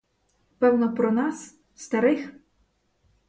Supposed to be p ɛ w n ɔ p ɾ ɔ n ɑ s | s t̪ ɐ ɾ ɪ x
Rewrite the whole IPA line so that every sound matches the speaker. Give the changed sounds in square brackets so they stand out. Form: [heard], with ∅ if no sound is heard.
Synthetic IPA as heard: p ɛ w n ɔ p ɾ ɔ n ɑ s | s t̪ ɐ ɾ ɪ x